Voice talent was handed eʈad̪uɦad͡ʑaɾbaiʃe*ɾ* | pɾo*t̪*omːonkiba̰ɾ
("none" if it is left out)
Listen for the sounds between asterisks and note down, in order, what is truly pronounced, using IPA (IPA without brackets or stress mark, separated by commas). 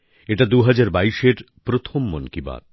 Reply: ɾ, t̪ʰ